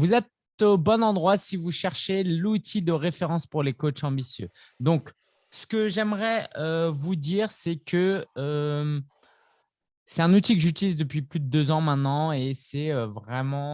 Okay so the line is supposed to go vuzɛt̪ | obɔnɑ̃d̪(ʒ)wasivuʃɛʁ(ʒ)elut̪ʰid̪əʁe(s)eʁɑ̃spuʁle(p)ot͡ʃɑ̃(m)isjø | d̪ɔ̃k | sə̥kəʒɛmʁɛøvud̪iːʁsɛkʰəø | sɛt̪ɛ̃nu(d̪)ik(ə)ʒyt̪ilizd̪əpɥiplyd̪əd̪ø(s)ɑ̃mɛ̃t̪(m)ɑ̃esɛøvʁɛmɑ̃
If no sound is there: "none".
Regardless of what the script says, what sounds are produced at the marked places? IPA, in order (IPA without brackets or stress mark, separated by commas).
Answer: ʁ, ʃ, f, k, b, t̪, ə, z, n